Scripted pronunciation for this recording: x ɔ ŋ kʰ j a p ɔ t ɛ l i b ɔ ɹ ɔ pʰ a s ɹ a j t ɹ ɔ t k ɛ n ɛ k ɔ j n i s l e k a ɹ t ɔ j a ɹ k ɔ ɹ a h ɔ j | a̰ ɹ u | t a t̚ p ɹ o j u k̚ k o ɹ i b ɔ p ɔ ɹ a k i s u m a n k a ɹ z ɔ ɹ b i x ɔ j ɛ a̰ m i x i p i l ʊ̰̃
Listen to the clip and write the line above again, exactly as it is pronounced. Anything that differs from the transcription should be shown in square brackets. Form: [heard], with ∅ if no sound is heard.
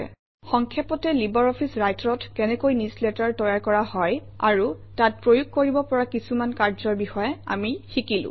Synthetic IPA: x ɔ ŋ kʰ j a p ɔ t ɛ l i b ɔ ɹ ɔ pʰ [i] s ɹ a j t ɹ ɔ t k ɛ n ɛ k [o] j n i s l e [t] a ɹ t ɔ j a ɹ k ɔ ɹ a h ɔ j | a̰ ɹ u | t a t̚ p ɹ o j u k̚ k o ɹ i b ɔ p ɔ ɹ a k i s u m a n k a ɹ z ɔ ɹ b i x ɔ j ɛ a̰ m i x i [k] i l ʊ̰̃